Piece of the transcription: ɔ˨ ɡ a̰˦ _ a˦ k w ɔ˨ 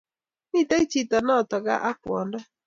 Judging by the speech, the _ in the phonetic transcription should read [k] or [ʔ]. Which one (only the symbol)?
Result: ʔ